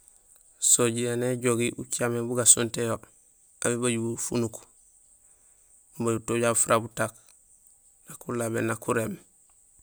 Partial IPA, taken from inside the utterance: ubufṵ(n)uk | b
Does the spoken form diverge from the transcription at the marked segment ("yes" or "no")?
no